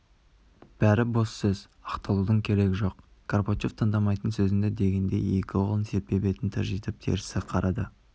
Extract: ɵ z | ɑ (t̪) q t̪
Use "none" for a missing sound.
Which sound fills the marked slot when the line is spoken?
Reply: none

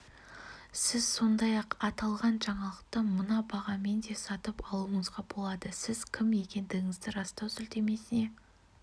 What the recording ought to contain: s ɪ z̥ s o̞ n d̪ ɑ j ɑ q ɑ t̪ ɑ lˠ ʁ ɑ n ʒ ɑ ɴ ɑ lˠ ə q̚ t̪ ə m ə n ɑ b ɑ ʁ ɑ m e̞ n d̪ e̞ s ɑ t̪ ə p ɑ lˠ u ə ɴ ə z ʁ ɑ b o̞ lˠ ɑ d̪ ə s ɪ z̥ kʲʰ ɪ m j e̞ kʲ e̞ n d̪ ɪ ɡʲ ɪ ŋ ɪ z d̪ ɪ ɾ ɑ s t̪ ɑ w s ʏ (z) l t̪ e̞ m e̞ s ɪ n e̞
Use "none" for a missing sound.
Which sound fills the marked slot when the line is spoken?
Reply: none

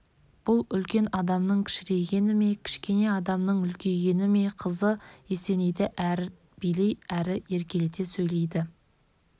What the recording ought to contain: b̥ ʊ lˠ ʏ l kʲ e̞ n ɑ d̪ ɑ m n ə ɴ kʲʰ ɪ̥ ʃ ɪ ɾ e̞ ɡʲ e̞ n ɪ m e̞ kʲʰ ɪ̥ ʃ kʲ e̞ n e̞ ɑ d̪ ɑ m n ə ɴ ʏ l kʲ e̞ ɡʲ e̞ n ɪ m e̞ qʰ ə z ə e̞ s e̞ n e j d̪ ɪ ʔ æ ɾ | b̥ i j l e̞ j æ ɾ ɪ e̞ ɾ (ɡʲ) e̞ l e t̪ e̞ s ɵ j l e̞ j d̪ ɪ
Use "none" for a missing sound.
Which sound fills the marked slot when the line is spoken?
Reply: kʲ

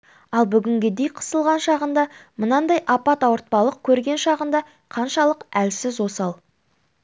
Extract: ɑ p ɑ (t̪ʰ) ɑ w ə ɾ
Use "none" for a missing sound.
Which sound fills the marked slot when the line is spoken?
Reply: t̪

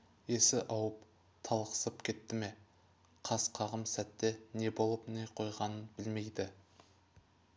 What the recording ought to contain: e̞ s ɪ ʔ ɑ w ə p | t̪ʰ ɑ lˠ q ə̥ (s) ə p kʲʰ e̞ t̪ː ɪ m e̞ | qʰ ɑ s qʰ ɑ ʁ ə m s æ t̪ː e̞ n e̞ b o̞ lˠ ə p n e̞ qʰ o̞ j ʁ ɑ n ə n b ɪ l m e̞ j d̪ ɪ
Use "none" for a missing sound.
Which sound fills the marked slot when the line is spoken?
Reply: s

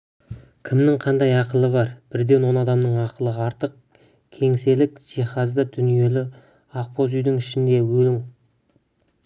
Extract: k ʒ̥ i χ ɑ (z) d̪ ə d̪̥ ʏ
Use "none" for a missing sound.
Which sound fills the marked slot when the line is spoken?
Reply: z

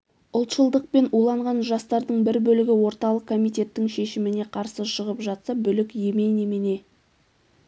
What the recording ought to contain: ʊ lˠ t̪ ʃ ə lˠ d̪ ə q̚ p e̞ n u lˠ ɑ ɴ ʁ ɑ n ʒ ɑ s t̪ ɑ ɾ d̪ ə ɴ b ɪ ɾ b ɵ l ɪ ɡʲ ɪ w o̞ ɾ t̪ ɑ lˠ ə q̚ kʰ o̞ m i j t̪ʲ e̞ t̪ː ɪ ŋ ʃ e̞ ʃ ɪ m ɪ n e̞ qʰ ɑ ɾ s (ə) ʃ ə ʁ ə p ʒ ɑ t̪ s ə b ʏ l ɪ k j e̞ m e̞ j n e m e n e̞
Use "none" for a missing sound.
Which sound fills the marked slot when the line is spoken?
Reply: ə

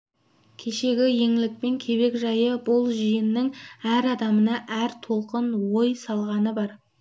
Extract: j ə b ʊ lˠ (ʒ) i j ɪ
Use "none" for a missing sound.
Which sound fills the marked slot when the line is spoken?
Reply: ʒ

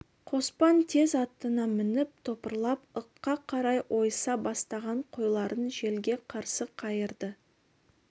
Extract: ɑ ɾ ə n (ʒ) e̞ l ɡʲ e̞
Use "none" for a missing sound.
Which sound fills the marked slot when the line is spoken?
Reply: ʒ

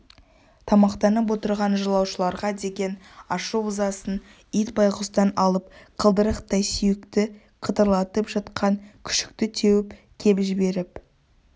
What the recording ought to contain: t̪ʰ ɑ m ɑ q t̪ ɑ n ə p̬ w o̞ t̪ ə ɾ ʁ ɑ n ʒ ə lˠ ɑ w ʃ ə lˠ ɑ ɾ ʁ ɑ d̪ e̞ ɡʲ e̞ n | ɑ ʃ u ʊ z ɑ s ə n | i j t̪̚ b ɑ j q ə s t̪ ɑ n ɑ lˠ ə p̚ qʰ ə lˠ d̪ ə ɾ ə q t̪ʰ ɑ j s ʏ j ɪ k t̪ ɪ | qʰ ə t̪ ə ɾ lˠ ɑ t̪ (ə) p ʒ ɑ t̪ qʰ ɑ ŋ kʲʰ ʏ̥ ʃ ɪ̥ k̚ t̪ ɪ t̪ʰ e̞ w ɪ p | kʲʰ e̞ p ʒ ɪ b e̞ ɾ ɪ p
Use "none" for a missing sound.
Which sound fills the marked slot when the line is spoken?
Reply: ə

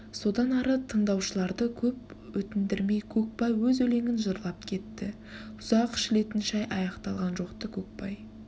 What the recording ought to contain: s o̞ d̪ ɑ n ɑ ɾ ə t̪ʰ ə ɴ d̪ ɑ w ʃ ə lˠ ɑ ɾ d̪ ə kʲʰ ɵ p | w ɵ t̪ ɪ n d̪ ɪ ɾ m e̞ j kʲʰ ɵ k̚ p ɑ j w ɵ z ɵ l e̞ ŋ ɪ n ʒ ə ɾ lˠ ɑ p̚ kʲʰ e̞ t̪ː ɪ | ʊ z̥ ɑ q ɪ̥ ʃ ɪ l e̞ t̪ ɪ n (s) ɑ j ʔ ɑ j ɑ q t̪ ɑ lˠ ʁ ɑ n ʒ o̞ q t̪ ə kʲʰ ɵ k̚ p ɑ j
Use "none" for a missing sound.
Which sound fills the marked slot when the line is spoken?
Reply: ʃ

